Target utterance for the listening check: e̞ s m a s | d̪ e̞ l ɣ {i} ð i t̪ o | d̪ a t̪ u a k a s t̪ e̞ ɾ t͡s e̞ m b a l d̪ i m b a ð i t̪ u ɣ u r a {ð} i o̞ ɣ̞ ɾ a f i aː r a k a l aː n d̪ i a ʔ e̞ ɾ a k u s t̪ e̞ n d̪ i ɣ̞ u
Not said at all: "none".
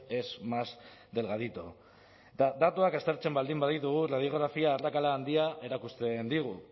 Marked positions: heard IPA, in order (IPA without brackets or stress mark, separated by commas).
a, ð